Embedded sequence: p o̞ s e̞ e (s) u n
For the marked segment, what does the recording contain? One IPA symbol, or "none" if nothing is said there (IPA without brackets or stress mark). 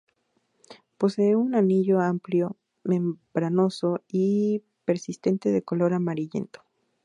none